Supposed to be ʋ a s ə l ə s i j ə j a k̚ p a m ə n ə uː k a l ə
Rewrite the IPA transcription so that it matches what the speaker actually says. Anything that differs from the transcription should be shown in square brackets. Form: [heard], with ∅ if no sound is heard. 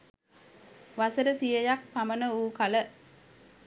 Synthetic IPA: ʋ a s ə [ɾ] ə s i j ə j a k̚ p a m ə n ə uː k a l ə

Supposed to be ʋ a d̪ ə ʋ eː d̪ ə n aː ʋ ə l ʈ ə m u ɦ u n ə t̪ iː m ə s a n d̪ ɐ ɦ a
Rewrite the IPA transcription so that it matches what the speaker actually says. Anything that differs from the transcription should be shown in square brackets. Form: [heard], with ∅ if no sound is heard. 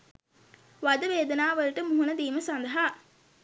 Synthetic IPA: ʋ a d̪ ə ʋ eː d̪ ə n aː ʋ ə l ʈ ə m u ɦ u n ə [d̪] iː m ə s a n d̪ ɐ ɦ a

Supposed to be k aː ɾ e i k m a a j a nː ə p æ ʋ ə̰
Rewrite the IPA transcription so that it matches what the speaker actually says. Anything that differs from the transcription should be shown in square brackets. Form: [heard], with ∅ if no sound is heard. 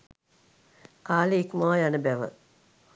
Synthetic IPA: k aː [l] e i k m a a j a [n] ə [b] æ ʋ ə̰

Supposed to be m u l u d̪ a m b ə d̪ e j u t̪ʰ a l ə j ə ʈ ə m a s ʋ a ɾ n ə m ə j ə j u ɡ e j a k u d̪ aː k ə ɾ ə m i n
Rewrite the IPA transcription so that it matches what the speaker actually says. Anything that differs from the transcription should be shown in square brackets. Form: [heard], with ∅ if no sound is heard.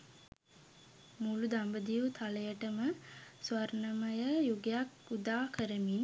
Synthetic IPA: m u l u d̪ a m b ə d̪ [i] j u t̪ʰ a l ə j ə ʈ ə m [ə] s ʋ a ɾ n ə m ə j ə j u ɡ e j a k u d̪ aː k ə ɾ ə m i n

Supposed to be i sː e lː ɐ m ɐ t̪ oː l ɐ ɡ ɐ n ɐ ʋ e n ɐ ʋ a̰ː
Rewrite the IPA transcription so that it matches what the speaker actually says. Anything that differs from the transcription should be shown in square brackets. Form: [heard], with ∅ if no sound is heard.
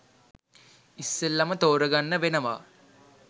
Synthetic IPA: i sː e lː ɐ m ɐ t̪ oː [ɾ] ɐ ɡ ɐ [nː] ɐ ʋ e n ɐ ʋ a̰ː

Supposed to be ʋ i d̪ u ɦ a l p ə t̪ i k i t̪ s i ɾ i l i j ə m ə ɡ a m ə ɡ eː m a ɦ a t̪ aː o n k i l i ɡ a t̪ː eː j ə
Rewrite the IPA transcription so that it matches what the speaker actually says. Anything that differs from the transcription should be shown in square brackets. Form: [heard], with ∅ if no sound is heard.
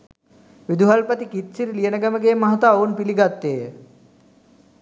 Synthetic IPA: ʋ i d̪ u ɦ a l p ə t̪ i k i t̪ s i ɾ i l i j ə [n] ə ɡ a m ə ɡ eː m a ɦ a t̪ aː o n [p] i l i ɡ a t̪ː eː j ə

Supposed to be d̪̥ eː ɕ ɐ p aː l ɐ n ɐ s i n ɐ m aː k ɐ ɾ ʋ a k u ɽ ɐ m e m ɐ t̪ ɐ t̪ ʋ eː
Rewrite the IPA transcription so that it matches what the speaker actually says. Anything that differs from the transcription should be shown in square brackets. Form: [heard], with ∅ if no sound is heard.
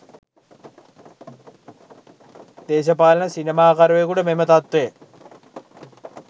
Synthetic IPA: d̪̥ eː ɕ ɐ p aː l ɐ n ɐ s i n ɐ m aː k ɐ ɾ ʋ [e] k u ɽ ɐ m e m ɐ t̪ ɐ t̪ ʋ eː

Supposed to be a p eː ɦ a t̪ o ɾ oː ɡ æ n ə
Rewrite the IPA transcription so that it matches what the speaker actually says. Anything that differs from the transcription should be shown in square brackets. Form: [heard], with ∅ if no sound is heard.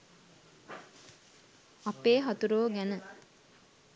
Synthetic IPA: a p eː ɦ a t̪ [u] ɾ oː ɡ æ n ə

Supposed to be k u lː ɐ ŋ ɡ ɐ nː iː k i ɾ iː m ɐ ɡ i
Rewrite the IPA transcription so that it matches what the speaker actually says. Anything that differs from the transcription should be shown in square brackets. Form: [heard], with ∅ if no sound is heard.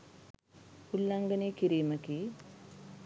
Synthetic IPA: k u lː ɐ ŋ ɡ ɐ [n] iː k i ɾ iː m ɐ [k] i

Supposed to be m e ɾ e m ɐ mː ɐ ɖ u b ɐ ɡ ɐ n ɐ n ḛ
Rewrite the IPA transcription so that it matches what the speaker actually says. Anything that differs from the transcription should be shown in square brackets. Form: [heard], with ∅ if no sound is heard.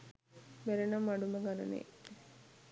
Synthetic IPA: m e ɾ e [n] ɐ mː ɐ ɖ u [m] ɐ ɡ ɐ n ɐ n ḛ

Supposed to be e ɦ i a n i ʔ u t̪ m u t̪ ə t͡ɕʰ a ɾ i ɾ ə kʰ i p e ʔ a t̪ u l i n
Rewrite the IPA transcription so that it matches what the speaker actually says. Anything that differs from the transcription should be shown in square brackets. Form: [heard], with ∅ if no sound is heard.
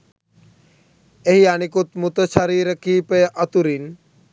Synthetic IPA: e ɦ i a n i [k] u t̪ m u t̪ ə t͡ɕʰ a ɾ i ɾ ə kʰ i p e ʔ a t̪ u [ɾ] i n

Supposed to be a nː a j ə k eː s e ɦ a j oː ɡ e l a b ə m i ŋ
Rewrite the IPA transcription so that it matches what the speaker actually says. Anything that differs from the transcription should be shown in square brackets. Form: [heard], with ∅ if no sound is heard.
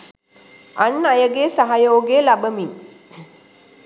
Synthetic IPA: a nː a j ə [ɡ] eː s [a] ɦ a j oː ɡ e l a b ə m i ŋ

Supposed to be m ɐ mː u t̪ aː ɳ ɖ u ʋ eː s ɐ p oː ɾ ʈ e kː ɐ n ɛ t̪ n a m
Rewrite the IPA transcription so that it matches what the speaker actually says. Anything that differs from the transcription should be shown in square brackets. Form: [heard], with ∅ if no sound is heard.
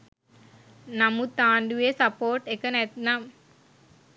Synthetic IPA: [n] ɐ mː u t̪ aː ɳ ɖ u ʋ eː s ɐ p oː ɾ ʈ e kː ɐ n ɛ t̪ n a m

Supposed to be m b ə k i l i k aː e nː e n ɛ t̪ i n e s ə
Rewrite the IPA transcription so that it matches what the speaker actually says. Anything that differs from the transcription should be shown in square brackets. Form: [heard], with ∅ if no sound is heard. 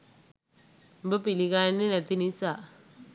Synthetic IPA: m b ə [p] i l i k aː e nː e n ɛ t̪ i n [i] s [a]

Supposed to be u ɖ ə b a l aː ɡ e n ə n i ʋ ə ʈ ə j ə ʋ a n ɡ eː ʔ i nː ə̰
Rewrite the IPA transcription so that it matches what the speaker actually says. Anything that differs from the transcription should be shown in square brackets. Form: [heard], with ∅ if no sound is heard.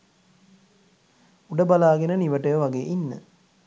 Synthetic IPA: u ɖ ə b a l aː ɡ e n ə n i ʋ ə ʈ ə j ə ʋ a [∅] ɡ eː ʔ i nː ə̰

